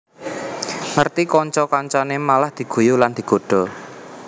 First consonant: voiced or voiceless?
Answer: voiced